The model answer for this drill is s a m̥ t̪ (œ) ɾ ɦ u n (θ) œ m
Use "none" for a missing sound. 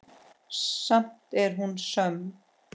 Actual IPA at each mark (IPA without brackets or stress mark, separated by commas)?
ɛ, s